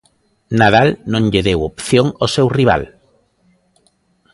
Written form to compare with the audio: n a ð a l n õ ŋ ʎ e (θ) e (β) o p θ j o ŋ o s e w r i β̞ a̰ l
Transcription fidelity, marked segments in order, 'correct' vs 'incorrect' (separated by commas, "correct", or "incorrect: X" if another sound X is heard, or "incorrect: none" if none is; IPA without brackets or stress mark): incorrect: ð, incorrect: w